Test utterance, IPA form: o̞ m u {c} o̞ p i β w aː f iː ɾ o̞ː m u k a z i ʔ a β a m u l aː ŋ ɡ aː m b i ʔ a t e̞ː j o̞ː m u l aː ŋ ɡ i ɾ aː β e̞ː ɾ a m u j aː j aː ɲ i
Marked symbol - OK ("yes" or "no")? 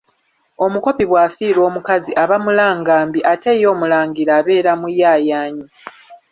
no